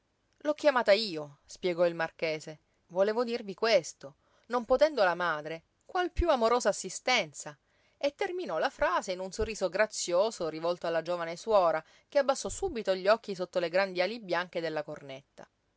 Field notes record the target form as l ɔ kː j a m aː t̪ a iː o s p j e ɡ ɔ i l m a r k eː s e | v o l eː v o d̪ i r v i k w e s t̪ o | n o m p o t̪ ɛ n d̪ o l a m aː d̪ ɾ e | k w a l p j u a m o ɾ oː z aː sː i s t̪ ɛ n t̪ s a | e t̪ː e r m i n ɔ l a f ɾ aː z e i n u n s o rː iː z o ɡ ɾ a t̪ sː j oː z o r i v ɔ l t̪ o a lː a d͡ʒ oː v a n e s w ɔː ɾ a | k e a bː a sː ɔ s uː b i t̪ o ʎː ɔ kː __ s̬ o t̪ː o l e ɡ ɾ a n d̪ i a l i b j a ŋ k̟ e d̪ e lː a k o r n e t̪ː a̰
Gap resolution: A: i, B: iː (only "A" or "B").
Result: A